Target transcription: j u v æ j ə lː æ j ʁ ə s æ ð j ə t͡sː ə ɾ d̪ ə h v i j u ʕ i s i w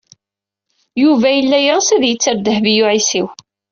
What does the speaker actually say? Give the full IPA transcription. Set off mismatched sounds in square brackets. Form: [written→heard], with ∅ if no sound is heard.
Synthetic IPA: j u v æ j ə lː æ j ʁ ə s æ ð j ə t͡sː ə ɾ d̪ ə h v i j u ʕ i s i w